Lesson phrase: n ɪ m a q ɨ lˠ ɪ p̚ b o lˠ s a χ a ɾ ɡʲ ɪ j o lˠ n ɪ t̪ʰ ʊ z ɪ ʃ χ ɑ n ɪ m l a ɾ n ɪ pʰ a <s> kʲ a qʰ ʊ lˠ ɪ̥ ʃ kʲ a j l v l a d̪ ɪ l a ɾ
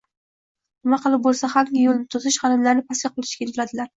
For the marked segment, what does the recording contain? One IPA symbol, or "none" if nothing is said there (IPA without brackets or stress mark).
s